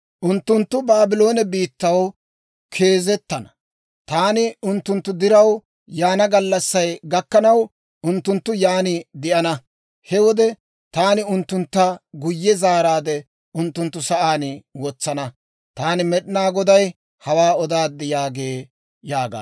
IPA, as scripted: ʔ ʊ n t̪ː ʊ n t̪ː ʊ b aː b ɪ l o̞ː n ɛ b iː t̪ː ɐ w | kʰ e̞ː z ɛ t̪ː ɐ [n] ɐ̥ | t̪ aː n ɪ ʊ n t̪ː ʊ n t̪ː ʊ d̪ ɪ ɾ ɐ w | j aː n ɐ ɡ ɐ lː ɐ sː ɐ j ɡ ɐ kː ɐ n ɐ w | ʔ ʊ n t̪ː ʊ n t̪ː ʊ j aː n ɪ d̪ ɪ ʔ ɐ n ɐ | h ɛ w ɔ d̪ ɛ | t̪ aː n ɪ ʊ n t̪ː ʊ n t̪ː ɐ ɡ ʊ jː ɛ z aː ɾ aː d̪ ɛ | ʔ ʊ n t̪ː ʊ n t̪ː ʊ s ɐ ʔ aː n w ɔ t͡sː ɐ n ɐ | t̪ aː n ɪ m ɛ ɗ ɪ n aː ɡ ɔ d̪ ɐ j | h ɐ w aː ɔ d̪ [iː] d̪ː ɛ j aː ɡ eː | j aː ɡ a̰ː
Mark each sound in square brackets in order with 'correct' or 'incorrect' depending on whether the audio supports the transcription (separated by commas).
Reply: correct, incorrect